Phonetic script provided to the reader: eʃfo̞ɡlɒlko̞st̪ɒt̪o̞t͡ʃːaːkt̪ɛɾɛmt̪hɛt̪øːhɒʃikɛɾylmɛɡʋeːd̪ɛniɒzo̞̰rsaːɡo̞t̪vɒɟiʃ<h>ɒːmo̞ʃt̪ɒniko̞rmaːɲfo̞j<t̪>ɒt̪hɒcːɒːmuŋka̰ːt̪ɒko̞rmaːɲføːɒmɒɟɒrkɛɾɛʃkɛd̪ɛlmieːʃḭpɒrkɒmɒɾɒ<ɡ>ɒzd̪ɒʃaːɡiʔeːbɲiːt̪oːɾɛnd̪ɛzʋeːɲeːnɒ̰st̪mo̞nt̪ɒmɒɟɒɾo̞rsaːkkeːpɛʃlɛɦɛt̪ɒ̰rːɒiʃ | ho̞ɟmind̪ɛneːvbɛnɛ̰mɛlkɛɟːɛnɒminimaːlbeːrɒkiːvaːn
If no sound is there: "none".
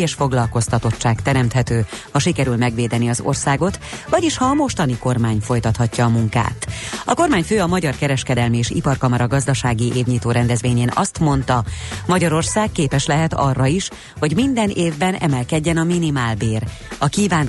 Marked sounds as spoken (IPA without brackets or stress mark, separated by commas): h, t̪, ɡ